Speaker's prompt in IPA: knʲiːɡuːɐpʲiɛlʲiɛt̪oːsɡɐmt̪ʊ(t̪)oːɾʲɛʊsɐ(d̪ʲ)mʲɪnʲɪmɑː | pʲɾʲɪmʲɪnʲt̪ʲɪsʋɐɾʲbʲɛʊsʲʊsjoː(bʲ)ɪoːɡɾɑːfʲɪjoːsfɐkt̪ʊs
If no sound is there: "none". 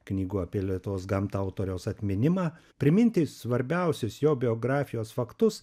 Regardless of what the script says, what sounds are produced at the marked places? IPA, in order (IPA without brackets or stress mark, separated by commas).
t̪, t̪ʲ, bʲ